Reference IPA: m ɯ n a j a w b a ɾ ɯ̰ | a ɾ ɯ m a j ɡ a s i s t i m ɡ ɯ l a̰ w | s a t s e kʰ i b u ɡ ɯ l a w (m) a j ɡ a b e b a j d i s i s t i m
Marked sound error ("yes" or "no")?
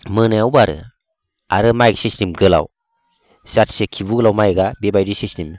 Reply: no